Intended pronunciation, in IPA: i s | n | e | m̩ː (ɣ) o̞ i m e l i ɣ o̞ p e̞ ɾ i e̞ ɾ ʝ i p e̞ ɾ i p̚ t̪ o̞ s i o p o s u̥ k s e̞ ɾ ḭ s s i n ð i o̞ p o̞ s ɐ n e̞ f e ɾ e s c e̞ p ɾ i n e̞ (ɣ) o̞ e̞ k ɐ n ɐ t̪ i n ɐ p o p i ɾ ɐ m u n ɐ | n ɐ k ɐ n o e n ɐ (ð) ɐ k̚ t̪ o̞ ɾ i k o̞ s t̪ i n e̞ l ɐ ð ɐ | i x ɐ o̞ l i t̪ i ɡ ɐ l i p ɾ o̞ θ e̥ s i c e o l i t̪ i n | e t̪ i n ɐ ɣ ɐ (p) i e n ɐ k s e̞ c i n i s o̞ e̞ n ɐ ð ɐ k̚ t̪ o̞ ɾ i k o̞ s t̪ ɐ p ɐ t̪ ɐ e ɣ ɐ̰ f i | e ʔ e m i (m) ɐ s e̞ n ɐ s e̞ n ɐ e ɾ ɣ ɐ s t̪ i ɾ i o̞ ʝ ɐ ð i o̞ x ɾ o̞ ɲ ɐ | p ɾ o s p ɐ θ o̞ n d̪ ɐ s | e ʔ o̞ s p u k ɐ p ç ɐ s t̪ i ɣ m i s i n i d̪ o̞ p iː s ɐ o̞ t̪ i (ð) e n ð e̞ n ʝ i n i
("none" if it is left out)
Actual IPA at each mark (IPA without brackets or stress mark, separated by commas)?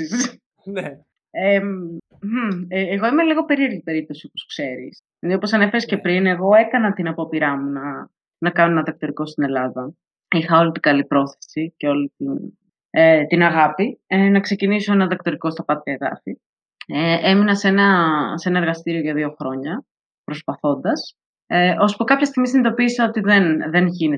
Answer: ɣ, ɣ, ð, p, n, ð